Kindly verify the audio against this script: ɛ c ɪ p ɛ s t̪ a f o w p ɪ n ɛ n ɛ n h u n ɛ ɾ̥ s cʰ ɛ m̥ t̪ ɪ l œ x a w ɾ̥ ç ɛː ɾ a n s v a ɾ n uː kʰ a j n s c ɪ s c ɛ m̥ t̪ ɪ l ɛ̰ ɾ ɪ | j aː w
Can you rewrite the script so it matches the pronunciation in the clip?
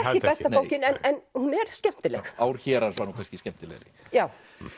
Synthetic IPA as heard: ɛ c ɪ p ɛ s t̪ a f o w c ɪ n ɛ n ɛ n h u n ɛ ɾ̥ s c ɛ m̥ t̪ ɪ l ɛ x a w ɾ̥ ç ɛː ɾ a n s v a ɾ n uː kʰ a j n s c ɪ s c ɛ m̥ t̪ ɪ l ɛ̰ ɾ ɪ | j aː w

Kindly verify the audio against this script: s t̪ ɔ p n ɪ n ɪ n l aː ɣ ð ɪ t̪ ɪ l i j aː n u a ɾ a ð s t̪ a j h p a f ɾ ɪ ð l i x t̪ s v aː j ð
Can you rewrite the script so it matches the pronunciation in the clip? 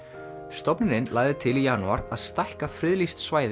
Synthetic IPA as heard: s t̪ ɔ p n ɪ n ɪ n l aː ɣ ð ɪ t̪ʰ ɪ l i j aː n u a ɾ a ð s t̪ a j h k a f ɾ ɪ ð l i s t̪ s v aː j ð

